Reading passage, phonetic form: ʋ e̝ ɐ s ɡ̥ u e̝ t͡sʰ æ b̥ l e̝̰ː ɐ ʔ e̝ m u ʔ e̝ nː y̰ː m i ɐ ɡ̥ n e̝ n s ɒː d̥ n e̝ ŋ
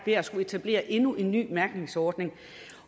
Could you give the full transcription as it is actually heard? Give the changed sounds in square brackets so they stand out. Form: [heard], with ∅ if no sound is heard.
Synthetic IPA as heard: ʋ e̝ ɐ s ɡ̥ u e̝ t͡sʰ æ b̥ l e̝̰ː ɐ ʔ e̝ [n] u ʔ e̝ nː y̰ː m [æ] ɐ ɡ̥ n e̝ [ŋ] s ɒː d̥ n e̝ ŋ